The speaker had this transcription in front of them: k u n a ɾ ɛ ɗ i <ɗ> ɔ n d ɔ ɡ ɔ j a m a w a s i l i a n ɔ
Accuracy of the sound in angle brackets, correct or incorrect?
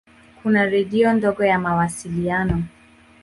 incorrect